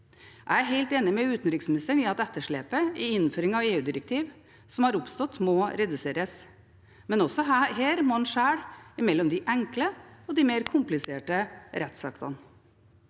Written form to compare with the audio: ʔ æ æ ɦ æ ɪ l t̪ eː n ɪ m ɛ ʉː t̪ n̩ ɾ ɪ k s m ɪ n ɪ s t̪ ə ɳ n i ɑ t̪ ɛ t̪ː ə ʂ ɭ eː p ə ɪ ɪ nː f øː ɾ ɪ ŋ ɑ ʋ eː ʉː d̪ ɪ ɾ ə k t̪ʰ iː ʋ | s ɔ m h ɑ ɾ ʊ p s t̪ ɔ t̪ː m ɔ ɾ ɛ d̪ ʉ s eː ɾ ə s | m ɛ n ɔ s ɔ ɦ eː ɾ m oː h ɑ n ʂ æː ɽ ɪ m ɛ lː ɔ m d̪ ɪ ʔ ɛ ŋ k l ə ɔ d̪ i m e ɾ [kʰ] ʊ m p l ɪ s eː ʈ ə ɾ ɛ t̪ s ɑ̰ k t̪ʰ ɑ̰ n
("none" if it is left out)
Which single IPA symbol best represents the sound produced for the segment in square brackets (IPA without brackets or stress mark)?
kʰ